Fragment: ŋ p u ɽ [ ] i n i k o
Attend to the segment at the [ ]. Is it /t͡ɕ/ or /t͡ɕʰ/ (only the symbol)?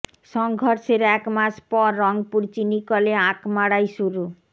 t͡ɕ